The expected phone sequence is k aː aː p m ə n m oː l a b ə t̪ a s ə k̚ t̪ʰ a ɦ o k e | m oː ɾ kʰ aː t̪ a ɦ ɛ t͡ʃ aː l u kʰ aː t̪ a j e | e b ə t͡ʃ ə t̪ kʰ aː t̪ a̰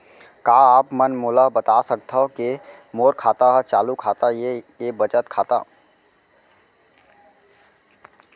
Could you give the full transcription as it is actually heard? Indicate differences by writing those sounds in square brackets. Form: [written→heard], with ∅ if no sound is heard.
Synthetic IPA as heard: k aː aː p m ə n m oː l a b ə t̪ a s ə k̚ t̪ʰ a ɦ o k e | m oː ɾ kʰ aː t̪ a ɦ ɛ t͡ʃ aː l u kʰ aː t̪ a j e | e b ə t͡ʃ ə t̪ kʰ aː t̪ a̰